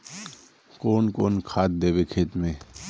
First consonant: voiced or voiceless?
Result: voiceless